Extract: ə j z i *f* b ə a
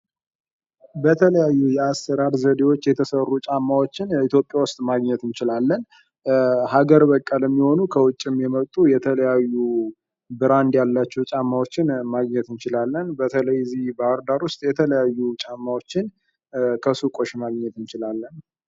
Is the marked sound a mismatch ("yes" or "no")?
yes